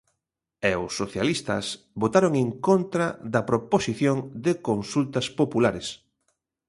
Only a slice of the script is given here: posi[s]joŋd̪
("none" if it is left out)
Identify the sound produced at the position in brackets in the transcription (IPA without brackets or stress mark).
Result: θ